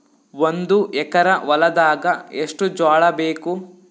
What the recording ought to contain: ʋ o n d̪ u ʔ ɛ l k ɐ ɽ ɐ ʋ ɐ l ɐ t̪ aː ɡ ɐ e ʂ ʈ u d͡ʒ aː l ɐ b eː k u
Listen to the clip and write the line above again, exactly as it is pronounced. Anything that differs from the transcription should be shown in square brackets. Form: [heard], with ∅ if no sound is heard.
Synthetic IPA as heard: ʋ o n d̪ u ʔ ɛ [∅] k ɐ [ɾ] ɐ ʋ ɐ l ɐ [d̪] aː ɡ ɐ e ʂ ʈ u d͡ʒ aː [ɭ] ɐ b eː k u